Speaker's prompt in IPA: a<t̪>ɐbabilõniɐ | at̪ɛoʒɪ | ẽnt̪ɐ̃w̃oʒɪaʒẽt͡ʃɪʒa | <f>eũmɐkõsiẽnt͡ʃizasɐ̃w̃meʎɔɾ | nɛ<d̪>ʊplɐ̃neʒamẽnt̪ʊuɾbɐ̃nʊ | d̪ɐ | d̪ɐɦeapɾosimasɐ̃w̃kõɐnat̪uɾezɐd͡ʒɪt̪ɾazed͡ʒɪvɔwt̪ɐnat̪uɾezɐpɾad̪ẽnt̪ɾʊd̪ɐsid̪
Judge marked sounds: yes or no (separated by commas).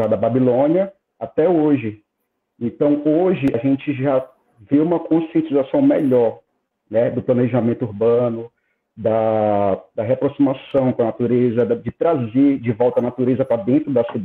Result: no, no, yes